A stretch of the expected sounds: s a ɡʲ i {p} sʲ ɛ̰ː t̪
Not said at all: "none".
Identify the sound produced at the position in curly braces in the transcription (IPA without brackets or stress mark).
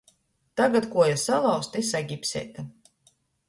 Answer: p